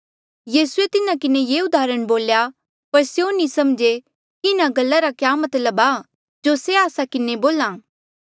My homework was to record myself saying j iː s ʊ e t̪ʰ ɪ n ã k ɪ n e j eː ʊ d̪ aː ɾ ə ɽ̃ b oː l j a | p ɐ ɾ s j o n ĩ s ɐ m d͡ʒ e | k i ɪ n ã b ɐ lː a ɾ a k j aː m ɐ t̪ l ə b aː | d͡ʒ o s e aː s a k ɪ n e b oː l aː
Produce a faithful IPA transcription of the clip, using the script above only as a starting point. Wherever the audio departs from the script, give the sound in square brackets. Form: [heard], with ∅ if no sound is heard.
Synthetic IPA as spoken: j iː s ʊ e [t̪] ɪ n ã k ɪ n e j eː ʊ d̪ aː ɾ ə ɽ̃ b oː l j a | p ɐ ɾ s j o n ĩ s ɐ m d͡ʒ e | k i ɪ n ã [ɡ] ɐ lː a ɾ a k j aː m ɐ t̪ l ə b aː | d͡ʒ o s e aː s a k ɪ n e b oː l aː